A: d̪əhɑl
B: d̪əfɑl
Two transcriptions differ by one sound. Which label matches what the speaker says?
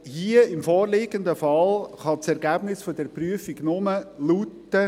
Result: B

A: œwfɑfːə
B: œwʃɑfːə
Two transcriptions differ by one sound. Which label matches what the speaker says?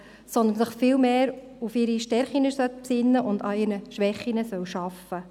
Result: B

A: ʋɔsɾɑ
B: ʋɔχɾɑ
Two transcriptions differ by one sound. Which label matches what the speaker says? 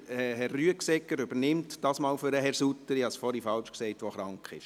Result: B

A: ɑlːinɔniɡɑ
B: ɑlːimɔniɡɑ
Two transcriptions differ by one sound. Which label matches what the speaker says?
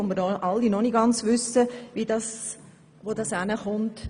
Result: A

